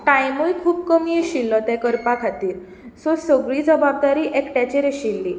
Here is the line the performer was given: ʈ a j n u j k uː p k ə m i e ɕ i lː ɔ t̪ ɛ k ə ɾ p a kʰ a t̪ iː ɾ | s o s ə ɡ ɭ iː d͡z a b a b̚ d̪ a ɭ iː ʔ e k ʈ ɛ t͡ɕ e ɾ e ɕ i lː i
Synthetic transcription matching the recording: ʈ a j m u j kʰ uː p k ə m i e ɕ i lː ɔ t̪ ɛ k ə ɾ p a kʰ a t̪ iː ɾ | s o s ə ɡ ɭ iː d͡z ə b a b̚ d̪ a ɾ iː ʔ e k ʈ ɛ t͡ɕ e ɾ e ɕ i lː i